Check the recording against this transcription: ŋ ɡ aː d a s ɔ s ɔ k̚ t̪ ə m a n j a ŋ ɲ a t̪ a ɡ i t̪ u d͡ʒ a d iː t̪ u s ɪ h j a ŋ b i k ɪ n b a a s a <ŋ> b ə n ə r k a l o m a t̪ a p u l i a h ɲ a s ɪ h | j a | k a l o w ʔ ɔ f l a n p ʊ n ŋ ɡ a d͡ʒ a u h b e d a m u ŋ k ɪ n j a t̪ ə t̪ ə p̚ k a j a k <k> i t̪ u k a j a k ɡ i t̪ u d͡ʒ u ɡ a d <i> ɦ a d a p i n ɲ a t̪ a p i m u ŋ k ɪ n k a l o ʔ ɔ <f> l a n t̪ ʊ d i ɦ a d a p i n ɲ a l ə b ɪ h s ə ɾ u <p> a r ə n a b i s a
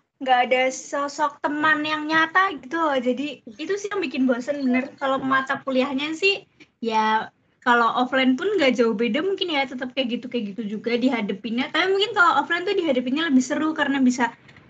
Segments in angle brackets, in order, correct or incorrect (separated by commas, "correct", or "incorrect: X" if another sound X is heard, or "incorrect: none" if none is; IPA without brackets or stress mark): incorrect: n, incorrect: ɡ, correct, correct, incorrect: k